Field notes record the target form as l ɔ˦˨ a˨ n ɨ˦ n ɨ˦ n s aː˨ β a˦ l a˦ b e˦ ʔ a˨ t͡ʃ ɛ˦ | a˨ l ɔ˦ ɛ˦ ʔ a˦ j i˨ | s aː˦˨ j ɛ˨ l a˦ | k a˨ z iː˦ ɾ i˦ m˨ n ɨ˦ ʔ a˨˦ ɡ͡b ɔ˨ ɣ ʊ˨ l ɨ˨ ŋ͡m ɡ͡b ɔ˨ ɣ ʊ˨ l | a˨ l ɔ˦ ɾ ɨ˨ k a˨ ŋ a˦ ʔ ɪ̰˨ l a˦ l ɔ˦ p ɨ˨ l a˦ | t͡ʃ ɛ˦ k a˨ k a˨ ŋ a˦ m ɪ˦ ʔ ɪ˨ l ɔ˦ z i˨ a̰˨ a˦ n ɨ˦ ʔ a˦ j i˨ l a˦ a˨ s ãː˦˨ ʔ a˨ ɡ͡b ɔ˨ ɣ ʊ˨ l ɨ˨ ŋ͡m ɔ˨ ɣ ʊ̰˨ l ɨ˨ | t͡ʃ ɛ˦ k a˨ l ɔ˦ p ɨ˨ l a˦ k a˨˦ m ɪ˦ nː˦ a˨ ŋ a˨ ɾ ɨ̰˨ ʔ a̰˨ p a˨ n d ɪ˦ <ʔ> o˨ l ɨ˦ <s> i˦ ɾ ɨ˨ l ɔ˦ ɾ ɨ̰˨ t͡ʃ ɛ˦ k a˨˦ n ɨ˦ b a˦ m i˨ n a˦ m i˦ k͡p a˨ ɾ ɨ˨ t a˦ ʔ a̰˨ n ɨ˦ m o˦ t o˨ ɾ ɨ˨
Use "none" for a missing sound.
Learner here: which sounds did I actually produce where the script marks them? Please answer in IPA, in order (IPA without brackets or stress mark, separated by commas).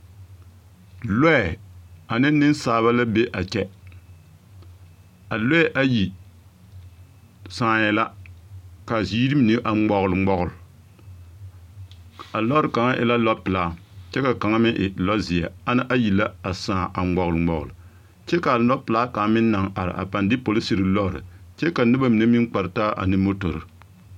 p, s